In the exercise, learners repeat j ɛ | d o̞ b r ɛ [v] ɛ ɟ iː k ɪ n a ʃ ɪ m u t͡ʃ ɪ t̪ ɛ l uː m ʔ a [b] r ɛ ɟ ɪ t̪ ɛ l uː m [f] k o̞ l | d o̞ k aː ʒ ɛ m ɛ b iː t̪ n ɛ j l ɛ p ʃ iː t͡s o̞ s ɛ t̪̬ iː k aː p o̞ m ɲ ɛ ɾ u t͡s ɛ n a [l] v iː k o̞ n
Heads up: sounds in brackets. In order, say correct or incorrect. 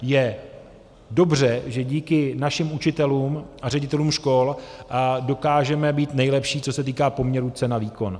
incorrect: ʒ, incorrect: none, incorrect: ʃ, incorrect: none

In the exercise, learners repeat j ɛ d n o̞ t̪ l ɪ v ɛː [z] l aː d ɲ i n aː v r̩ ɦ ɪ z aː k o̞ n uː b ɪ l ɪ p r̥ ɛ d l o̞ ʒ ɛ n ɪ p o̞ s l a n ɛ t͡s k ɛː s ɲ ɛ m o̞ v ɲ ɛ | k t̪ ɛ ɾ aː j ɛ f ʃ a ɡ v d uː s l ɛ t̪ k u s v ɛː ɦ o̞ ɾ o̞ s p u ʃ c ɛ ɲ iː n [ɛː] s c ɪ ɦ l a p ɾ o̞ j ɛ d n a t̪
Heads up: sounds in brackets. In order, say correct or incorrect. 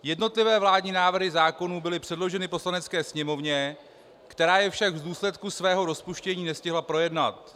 incorrect: v, incorrect: ɛ

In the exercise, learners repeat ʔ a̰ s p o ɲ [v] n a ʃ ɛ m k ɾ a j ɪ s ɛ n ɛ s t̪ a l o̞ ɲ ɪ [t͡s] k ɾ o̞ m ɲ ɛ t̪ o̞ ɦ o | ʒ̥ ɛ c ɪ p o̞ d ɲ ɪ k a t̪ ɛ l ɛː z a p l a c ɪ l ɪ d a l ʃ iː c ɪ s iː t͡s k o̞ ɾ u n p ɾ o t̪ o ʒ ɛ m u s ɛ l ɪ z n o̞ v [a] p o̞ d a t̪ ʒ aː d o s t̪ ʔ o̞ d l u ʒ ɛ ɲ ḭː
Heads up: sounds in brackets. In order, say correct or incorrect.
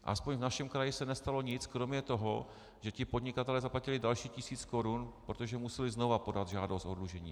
correct, correct, correct

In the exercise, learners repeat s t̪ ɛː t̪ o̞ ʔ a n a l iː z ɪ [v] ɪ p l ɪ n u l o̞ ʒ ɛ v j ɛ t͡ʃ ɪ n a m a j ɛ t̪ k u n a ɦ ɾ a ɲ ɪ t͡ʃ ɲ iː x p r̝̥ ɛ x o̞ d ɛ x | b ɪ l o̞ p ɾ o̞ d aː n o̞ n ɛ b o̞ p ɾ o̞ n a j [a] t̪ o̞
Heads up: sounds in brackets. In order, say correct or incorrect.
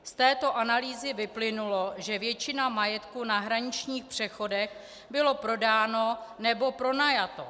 correct, correct

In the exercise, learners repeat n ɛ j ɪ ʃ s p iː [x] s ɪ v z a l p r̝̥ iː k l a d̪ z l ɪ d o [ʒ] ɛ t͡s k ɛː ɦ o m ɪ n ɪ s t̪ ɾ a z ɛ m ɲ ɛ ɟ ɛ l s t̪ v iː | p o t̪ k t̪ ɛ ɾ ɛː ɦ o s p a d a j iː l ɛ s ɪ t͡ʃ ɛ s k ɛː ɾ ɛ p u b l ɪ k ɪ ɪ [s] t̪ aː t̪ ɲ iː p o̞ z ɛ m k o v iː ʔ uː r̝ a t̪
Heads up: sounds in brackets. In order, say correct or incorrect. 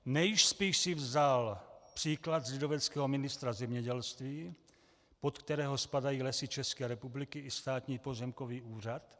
incorrect: ʃ, incorrect: v, correct

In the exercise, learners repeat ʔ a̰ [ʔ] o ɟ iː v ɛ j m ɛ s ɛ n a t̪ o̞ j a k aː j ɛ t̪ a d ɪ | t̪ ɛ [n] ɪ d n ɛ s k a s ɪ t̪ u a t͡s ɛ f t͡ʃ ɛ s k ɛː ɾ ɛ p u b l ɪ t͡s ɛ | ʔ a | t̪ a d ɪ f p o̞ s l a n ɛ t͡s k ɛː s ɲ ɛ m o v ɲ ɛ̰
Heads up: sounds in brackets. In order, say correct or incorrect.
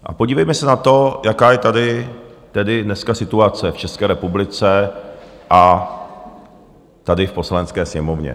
incorrect: p, incorrect: d

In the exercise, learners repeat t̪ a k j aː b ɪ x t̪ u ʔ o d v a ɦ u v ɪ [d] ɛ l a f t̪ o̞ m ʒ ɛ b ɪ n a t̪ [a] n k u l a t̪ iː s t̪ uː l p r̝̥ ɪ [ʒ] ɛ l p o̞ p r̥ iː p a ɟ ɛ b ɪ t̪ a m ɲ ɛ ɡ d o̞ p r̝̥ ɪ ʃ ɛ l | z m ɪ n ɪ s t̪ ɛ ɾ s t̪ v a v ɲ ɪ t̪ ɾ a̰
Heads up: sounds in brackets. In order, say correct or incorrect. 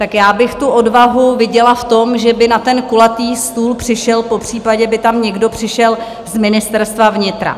incorrect: ɟ, incorrect: ɛ, incorrect: ʃ

